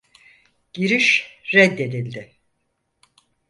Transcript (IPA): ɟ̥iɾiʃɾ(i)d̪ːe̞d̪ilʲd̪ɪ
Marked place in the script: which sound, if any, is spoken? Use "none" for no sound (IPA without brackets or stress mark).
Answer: ɛ